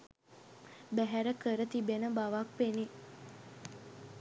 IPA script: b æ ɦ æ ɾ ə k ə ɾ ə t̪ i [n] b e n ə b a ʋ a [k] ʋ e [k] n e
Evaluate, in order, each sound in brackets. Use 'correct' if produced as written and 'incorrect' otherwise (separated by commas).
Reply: incorrect, correct, incorrect